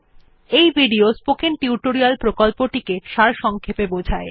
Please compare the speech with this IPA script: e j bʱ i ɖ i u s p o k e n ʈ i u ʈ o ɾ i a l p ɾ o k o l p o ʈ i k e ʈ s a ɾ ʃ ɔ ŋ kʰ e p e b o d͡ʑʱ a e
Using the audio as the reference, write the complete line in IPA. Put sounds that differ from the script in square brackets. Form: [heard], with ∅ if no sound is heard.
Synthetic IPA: e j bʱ i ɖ i [o] s p o k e n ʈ i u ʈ o ɾ i a l p ɾ o k o l p o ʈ i k e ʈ [ʃ] a ɾ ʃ ɔ ŋ kʰ e p e b o d͡ʑʱ a e